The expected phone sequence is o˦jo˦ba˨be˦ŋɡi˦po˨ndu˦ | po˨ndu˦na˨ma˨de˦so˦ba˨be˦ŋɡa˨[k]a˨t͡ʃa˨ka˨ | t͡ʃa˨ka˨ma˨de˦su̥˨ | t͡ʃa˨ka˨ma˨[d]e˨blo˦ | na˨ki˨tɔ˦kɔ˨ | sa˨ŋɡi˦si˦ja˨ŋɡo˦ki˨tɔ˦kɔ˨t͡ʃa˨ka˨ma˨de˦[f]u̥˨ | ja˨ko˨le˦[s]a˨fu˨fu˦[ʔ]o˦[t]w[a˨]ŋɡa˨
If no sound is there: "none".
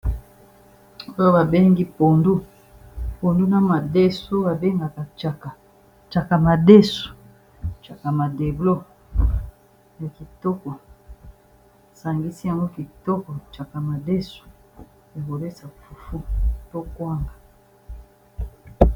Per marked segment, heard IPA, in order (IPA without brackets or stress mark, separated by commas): k, d, s, s, t, k, a˦